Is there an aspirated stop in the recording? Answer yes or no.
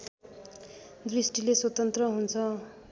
yes